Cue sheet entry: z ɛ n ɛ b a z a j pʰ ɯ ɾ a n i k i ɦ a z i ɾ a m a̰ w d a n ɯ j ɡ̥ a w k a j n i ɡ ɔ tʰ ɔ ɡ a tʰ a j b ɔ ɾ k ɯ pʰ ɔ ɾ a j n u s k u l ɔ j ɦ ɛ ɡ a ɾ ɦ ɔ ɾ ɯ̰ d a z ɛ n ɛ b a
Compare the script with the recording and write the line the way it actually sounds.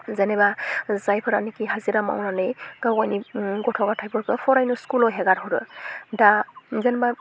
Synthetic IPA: z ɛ n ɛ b a z a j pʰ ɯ ɾ a n i k i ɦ a z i ɾ a m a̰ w n a n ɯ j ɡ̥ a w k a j n i ɡ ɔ tʰ ɔ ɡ a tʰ a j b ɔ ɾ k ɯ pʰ ɔ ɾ a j n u s k u l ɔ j ɦ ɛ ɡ a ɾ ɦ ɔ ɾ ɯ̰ d a z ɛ n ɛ b a